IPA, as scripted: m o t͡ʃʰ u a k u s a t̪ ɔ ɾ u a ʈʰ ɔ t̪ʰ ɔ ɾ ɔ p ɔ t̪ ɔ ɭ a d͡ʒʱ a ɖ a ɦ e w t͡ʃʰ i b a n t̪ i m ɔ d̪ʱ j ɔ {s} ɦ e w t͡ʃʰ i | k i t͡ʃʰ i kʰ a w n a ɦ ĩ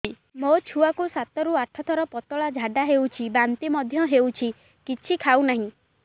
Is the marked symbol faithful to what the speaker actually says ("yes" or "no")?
no